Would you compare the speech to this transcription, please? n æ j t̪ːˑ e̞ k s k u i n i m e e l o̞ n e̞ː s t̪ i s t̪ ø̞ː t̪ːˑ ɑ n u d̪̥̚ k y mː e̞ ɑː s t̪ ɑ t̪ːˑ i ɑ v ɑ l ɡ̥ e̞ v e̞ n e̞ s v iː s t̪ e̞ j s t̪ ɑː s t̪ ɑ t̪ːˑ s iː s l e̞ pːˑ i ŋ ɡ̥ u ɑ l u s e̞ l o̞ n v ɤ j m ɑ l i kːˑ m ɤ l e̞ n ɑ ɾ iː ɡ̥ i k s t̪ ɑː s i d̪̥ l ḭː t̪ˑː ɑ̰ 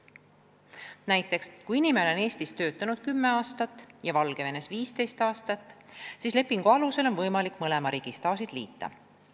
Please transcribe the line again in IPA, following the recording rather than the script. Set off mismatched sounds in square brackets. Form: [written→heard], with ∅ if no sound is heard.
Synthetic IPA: n æ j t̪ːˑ e̞ k s k u i n i m e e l o̞ n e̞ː s t̪ i s t̪ ø̞ː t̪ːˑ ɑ n u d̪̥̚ k y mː e̞ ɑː s t̪ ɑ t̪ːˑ [i→j] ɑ v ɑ l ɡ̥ e̞ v e̞ n e̞ s v iː s t̪ e̞ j s t̪ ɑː s t̪ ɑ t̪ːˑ s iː s l e̞ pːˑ i ŋ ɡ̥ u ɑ l u s e̞ l o̞ n v ɤ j m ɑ l i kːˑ m ɤ l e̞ [n→m] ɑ ɾ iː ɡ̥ i [k→∅] s t̪ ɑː s i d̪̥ l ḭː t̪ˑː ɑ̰

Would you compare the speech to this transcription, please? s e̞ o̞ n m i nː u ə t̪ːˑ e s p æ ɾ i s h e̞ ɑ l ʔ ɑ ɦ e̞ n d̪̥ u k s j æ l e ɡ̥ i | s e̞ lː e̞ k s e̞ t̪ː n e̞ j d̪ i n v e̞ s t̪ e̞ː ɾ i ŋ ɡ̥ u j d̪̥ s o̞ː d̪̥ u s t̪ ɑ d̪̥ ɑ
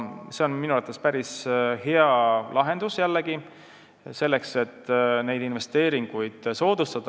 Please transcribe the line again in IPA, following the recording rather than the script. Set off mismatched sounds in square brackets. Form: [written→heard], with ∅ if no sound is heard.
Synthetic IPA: s e̞ o̞ n m i [nː→n] u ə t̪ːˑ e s p æ ɾ i s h e̞ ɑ l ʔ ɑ ɦ e̞ n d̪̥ u [k→∅] s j æ [l→lː] e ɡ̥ i | s e̞ lː e̞ k s e̞ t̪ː n e̞ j d̪ i n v e̞ s t̪ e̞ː ɾ i ŋ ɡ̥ u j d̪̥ s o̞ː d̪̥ u s t̪ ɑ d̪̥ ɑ

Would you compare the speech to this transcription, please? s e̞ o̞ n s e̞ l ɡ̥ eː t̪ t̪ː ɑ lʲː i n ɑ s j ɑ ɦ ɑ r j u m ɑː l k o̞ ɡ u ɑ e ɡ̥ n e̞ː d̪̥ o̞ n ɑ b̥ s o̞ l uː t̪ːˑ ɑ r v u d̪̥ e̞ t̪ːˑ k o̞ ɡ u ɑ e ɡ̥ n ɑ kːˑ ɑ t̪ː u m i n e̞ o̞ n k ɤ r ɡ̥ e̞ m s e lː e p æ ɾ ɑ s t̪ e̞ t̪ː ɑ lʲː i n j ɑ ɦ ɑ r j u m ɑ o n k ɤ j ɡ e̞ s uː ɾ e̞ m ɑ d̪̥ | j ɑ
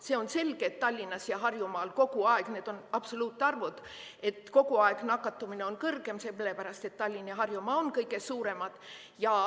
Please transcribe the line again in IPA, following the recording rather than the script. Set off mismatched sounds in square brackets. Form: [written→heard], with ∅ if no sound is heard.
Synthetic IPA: s e̞ o̞ n s e̞ l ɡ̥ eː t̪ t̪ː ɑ lʲː i n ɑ s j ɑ ɦ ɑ r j u m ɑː l k o̞ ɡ u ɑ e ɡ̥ n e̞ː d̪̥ o̞ n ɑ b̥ s o̞ l uː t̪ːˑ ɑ r v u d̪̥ e̞ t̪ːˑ k o̞ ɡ u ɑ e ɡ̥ n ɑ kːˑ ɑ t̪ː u m i n e̞ o̞ n k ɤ r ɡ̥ e̞ m s e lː e p æ ɾ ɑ s t̪ e̞ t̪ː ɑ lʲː i n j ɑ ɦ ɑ r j u m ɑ o n k ɤ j ɡ e̞ s uː ɾ e̞ m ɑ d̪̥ | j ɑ

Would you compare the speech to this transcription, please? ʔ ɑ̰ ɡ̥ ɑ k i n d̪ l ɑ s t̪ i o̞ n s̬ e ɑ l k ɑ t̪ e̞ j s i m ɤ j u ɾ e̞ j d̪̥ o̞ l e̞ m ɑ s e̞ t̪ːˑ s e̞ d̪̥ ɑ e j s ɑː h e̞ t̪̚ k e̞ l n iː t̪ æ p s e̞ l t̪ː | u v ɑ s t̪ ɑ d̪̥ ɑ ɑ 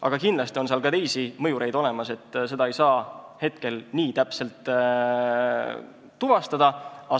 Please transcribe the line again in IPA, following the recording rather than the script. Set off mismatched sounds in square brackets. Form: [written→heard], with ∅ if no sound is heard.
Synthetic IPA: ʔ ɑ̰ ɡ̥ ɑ k i n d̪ l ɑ s t̪ i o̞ n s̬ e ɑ l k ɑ t̪ e̞ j s i m ɤ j u ɾ e̞ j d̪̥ o̞ l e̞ m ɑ s e̞ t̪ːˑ s e̞ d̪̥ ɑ e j s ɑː h e̞ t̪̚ k e̞ l n iː t̪ æ p s e̞ l t̪ː | u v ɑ s t̪ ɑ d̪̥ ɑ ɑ

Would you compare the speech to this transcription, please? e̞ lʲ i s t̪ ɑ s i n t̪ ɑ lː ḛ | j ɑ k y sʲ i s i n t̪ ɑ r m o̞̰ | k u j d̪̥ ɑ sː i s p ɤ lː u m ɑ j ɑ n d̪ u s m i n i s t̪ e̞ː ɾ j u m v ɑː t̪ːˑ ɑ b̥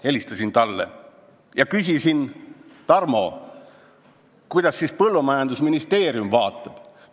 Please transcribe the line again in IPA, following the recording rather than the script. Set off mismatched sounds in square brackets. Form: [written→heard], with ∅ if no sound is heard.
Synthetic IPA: e̞ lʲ i s t̪ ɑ s i n t̪ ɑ lː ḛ | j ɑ k y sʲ i s i n t̪ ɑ r m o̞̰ | k u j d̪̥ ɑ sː i s p ɤ lː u m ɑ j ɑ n d̪ u s m i n i s t̪ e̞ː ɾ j u m v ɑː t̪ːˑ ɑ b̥

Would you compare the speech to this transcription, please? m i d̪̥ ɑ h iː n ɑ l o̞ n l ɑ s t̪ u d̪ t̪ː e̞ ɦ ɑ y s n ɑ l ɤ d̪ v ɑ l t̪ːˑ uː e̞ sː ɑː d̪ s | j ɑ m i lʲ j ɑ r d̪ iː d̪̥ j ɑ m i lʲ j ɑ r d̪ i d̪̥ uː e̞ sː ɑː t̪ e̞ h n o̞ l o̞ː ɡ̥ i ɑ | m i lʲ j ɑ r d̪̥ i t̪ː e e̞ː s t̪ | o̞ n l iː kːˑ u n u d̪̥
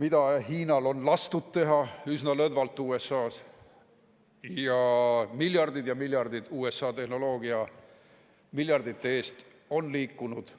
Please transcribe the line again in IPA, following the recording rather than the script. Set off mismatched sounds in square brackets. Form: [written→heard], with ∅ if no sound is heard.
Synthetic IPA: m i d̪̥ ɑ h iː n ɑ l o̞ n l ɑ s t̪ u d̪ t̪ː e̞ ɦ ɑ y s n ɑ l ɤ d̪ v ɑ l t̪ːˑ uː e̞ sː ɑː [d̪→∅] s | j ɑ m i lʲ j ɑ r d̪ [iː→i] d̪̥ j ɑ m i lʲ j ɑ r d̪ i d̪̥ uː e̞ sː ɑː t̪ e̞ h n o̞ l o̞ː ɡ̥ i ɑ | m i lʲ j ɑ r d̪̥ i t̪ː e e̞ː s t̪ | o̞ n l iː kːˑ u n u d̪̥

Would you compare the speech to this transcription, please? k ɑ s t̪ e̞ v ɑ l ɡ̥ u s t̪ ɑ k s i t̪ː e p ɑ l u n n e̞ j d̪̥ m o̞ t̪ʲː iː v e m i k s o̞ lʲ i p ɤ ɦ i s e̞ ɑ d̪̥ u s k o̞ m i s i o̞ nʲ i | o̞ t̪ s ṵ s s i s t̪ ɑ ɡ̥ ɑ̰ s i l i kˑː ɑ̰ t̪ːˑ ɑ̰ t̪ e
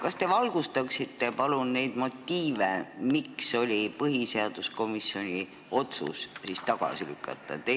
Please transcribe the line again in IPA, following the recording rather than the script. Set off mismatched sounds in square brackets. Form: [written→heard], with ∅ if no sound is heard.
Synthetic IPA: k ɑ s t̪ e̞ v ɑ l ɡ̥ u s t̪ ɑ k s i t̪ː e p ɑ l u n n e̞ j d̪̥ m o̞ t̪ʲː iː v e m i k s o̞ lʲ i p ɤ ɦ i s e̞ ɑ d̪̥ u s k o̞ m i s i o̞ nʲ i | o̞ t̪ s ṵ s s i s t̪ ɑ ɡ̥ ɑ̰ s i l [i→y] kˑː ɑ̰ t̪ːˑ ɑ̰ t̪ e

